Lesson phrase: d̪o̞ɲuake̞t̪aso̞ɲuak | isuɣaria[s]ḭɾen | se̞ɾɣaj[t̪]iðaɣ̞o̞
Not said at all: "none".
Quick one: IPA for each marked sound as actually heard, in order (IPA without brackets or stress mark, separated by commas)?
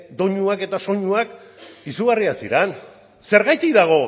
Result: s, t̪